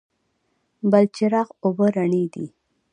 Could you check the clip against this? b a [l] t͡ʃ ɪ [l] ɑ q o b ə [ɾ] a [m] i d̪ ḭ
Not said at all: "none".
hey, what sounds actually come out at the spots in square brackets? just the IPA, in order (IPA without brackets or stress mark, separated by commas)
l, ɾ, ɾ, ɳ